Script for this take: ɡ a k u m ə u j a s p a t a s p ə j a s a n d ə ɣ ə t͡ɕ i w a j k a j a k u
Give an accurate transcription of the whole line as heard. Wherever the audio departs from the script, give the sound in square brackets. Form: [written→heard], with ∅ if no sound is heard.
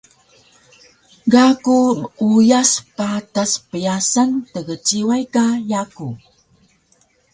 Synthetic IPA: ɡ a k u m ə u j a s p a t a s p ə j a s a n [d→t] ə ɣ ə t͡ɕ i w a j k a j a k u